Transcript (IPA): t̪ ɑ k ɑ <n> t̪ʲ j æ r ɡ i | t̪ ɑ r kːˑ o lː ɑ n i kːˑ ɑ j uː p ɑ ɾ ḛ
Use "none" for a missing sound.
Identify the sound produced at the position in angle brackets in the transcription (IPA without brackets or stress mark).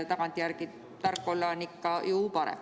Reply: n